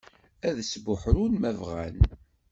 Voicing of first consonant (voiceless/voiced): voiced